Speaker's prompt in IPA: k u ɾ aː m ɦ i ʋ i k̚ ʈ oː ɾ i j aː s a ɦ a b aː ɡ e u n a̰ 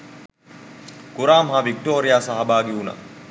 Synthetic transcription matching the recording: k u ɾ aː m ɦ a ʋ i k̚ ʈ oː ɾ i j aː s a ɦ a b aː ɡ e u n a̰